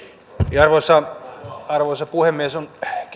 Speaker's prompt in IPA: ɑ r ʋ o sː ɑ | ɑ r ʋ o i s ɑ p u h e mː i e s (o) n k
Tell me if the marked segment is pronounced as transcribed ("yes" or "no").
yes